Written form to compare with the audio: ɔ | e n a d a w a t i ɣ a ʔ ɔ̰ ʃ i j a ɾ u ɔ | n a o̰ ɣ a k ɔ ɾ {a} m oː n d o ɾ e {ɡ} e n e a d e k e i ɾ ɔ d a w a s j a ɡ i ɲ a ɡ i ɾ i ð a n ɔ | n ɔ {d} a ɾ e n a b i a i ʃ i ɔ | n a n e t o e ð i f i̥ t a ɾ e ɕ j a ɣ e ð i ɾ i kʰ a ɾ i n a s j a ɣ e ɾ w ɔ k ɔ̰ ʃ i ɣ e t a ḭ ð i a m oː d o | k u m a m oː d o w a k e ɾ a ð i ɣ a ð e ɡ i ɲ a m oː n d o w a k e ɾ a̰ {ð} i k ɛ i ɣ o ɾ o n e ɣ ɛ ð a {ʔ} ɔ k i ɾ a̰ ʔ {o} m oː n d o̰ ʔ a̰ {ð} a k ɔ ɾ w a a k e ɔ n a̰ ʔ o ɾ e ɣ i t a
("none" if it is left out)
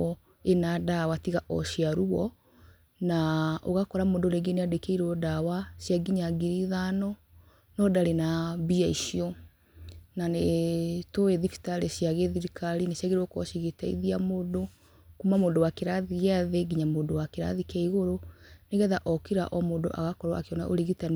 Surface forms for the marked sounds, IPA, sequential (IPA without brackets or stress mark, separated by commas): a, ɡ, d, ð, ʔ, ɔ, ɣ